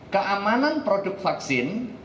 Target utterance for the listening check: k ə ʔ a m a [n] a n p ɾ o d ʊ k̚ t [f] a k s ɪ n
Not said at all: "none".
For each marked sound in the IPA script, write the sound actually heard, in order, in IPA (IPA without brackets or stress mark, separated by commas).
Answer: n, f